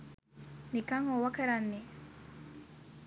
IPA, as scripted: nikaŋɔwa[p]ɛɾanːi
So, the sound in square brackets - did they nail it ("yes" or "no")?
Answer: no